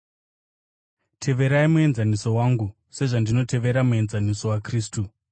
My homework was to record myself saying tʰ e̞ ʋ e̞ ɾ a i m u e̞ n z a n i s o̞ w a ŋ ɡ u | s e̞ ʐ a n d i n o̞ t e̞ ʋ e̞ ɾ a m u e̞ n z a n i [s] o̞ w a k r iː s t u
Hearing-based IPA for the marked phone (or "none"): s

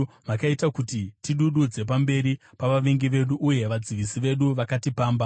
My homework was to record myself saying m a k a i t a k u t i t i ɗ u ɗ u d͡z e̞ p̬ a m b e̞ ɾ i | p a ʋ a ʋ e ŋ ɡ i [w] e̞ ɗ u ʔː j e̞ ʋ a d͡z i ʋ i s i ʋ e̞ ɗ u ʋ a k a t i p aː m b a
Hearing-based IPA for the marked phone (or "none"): ʋ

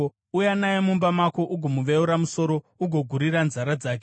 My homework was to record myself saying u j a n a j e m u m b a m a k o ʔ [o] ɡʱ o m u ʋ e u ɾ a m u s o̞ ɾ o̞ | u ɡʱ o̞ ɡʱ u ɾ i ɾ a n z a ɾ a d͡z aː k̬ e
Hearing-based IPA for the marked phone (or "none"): u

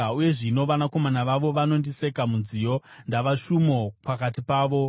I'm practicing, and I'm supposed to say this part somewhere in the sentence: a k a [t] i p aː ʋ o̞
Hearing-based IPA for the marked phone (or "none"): t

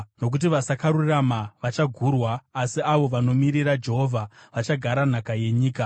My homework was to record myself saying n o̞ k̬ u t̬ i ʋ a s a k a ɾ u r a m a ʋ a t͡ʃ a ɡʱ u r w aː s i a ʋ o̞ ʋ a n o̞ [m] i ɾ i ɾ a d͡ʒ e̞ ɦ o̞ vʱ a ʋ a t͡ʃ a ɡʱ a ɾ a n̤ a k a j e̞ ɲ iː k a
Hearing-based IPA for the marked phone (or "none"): m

